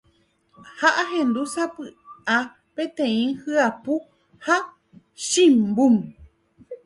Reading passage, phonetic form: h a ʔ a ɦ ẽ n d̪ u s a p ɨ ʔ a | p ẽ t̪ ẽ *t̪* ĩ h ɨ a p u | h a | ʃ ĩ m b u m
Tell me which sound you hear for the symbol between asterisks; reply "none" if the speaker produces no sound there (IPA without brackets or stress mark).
none